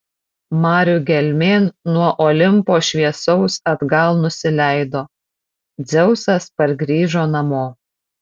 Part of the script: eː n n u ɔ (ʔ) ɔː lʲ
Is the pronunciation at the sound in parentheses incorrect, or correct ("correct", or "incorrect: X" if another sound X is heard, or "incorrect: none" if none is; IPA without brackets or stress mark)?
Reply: correct